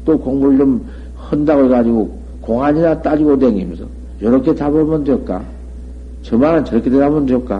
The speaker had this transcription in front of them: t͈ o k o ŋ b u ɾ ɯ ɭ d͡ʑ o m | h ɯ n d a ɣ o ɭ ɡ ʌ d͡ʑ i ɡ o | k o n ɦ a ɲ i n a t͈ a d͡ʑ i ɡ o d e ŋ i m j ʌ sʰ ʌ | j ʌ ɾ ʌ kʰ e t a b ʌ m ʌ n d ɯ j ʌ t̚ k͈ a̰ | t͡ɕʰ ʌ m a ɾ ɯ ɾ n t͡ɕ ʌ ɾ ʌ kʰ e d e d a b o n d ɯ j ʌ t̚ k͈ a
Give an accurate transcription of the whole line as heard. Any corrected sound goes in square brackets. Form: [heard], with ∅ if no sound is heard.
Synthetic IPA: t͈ o k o ŋ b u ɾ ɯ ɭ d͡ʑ o m | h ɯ n d a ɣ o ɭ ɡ [a] d͡ʑ i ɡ o | k o [ŋ] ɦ a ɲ i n a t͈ a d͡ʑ i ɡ o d e ŋ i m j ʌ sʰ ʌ | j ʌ ɾ ʌ kʰ e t a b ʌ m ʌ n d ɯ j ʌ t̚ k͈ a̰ | [t͡ɕ] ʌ m a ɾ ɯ [∅] n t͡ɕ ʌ ɾ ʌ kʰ e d e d a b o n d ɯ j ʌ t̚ k͈ a